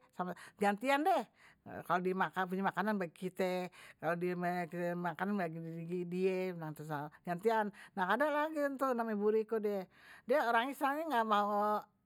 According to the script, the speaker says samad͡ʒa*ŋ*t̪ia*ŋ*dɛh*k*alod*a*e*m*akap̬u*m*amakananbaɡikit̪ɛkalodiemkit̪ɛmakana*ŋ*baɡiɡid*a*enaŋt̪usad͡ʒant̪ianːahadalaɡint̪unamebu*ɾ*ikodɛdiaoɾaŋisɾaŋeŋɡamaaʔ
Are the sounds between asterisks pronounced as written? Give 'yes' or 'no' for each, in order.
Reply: no, no, yes, no, yes, no, no, no, yes

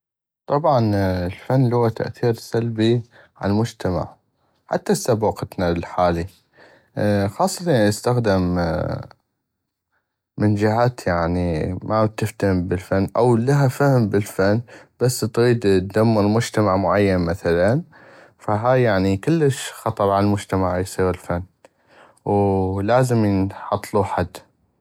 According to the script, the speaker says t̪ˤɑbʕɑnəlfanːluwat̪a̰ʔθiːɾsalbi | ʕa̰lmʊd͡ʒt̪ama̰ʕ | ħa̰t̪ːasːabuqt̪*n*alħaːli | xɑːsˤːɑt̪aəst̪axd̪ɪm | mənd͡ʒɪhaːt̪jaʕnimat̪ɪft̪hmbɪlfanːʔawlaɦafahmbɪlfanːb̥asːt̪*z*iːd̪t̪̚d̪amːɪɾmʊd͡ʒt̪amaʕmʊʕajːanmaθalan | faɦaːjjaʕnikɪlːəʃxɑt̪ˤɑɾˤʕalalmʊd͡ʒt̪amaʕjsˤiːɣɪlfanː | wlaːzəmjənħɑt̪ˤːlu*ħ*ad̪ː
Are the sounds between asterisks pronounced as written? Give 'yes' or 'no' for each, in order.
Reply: yes, no, yes

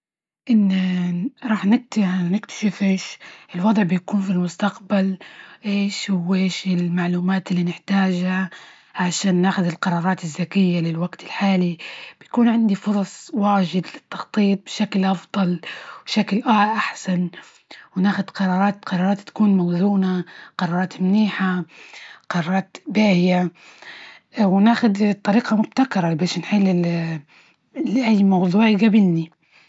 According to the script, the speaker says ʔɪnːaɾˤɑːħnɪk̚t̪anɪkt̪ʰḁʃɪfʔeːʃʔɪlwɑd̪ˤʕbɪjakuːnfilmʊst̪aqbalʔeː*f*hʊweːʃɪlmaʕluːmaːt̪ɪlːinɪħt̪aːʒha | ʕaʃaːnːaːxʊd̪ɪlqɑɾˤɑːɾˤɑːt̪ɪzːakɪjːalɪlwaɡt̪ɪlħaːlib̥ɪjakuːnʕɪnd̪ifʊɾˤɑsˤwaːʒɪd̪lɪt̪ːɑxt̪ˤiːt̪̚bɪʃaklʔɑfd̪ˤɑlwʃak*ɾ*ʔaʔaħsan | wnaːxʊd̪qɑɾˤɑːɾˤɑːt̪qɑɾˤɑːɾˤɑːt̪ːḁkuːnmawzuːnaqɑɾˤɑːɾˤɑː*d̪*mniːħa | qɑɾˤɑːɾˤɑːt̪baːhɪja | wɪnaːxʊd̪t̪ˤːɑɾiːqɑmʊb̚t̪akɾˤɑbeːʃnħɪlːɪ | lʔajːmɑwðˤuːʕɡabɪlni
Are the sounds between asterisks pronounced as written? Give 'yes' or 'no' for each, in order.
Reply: no, no, no

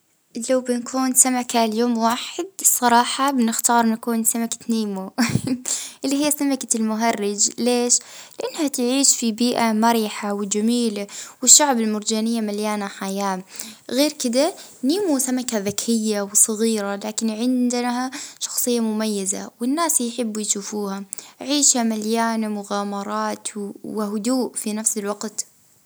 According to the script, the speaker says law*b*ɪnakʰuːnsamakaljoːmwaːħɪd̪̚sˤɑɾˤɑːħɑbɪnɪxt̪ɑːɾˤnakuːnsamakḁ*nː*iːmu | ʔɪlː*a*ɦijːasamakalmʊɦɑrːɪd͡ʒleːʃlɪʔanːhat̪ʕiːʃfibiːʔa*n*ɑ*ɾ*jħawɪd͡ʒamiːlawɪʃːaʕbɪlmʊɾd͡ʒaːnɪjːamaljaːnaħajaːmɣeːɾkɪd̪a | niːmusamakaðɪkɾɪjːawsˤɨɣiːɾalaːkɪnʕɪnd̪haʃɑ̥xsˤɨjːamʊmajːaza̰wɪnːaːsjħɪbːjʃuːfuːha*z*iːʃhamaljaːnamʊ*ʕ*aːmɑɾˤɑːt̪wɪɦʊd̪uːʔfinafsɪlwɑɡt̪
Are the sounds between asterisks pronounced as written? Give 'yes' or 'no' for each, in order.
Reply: yes, no, no, no, yes, no, no

